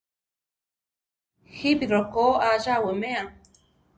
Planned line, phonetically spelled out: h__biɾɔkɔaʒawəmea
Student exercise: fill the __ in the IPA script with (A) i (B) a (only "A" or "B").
A